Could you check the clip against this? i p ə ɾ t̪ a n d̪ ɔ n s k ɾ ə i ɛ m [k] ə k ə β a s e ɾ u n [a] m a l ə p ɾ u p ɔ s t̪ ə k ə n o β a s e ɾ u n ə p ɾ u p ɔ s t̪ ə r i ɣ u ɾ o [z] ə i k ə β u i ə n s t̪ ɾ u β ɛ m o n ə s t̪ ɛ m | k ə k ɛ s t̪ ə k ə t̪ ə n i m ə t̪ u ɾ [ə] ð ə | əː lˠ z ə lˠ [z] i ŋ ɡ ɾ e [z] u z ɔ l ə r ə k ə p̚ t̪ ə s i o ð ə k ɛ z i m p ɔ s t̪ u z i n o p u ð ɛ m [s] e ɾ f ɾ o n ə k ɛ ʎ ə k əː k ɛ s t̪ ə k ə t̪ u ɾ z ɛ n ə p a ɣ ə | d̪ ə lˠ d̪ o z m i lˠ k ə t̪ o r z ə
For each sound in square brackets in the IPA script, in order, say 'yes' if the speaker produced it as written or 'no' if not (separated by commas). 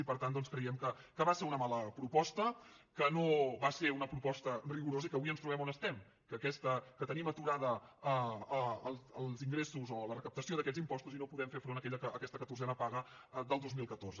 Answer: yes, no, yes, no, yes, no, no